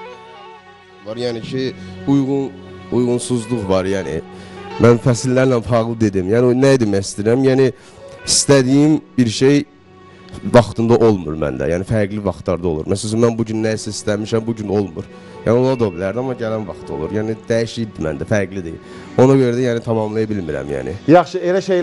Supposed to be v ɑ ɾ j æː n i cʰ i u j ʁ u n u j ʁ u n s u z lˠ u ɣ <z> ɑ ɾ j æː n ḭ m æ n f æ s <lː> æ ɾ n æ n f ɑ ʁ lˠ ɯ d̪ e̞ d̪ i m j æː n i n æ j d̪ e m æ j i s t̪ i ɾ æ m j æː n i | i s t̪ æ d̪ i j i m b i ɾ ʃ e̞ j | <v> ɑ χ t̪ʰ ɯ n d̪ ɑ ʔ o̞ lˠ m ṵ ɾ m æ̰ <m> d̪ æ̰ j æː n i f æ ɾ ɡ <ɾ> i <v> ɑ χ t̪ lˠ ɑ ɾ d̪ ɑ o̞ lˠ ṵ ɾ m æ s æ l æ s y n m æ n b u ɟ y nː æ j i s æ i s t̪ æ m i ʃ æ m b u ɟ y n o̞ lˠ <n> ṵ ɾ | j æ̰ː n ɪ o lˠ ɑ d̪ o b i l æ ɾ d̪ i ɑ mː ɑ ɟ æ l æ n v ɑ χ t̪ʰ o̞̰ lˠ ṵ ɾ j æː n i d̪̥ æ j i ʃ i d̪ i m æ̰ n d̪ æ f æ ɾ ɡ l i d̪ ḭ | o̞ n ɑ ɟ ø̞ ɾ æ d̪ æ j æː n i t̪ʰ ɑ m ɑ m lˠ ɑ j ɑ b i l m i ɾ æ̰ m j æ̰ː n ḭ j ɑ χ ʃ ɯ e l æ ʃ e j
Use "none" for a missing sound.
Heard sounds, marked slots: v, lː, v, n, l, v, m

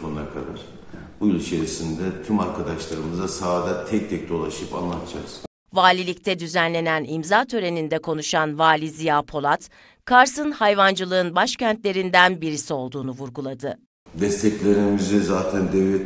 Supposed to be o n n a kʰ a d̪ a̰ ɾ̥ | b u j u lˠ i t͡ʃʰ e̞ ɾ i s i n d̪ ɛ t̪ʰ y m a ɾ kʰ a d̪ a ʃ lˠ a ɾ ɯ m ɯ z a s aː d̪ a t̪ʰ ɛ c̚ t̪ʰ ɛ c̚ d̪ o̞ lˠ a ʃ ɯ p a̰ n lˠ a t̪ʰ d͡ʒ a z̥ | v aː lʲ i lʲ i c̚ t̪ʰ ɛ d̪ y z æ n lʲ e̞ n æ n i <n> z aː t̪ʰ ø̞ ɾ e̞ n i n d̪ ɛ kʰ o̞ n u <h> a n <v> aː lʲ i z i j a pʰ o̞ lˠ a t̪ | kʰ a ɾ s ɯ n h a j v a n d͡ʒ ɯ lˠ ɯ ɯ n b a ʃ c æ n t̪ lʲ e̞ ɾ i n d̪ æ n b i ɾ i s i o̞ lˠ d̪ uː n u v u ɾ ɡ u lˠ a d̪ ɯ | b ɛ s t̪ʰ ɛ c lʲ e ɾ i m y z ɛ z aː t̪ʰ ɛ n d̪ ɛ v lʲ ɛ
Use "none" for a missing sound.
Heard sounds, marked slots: m, ʃ, v

